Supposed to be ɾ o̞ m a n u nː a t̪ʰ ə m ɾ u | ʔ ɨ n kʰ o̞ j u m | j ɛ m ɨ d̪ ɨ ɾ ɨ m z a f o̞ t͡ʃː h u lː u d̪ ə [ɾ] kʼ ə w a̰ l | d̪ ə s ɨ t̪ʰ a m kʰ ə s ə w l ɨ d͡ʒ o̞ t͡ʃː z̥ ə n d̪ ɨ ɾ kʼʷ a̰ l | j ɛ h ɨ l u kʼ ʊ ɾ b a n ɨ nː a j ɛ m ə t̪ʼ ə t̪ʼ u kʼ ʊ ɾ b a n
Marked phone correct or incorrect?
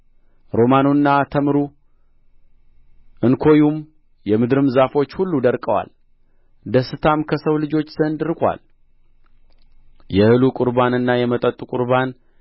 correct